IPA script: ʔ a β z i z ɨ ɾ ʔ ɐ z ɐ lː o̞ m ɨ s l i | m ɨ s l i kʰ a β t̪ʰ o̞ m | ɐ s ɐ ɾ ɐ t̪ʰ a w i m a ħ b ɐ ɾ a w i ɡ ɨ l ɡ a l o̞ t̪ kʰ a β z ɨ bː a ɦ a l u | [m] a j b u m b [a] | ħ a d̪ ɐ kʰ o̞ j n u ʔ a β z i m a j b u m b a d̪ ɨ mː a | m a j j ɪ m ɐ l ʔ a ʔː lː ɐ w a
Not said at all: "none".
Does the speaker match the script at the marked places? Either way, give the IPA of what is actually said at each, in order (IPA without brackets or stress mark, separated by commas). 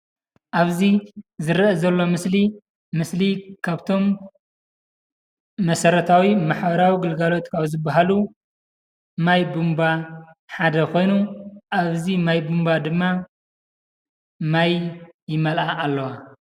m, a